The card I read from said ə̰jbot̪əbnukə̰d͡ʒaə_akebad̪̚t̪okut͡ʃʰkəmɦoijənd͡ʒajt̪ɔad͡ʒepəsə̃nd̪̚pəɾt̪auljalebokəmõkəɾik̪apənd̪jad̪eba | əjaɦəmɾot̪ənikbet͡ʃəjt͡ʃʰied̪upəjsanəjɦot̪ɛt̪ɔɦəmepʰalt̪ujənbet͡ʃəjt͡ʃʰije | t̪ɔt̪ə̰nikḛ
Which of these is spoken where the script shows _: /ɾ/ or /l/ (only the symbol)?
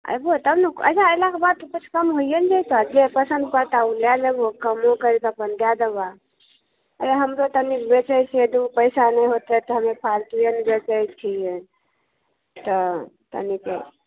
l